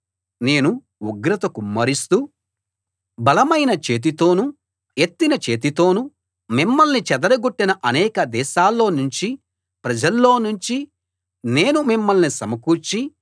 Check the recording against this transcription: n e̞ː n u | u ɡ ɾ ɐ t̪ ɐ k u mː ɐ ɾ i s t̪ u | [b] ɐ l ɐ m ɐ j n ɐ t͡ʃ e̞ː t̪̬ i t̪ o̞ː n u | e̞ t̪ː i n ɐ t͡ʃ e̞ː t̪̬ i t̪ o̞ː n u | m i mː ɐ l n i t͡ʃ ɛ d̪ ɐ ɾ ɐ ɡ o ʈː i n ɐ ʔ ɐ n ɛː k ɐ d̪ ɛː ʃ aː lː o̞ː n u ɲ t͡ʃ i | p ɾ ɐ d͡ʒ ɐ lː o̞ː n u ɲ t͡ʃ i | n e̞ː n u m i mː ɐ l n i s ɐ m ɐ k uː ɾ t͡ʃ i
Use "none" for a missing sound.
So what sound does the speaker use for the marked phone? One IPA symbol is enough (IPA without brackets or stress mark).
b